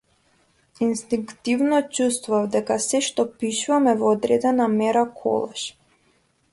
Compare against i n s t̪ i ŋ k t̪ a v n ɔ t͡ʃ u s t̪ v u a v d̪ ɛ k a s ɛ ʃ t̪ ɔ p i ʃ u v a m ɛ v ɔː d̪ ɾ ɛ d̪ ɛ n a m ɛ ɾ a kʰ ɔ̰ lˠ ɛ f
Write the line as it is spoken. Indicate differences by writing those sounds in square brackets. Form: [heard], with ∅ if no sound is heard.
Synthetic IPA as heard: i n s t̪ i ŋ k t̪ [i] v n ɔ t͡ʃ u s t̪ v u a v d̪ ɛ k a s ɛ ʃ t̪ ɔ p i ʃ u v a m ɛ v ɔː d̪ ɾ ɛ d̪ ɛ n a m ɛ ɾ a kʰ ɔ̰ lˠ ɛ [ʃ]